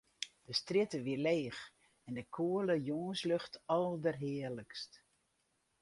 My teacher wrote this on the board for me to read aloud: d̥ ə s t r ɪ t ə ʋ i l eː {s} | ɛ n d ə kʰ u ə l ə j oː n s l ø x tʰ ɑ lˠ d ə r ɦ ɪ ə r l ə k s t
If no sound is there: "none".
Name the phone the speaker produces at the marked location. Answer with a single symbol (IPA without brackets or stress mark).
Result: x